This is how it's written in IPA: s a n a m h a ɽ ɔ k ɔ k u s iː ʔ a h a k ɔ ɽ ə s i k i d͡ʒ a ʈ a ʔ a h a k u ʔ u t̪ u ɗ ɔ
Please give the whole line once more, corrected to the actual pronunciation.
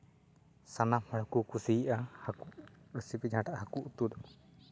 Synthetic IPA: s a n a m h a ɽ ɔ k u k u s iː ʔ a h a k u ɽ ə s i p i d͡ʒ a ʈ a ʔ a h a k u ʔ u t̪ u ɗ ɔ